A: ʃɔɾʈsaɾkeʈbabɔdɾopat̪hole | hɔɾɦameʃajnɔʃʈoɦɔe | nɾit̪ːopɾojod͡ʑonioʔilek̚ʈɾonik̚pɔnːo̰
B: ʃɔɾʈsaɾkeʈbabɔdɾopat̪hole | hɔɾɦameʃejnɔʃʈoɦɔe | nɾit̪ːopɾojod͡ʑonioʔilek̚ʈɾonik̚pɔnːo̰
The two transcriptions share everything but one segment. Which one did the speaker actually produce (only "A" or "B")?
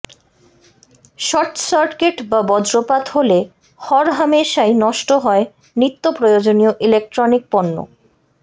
A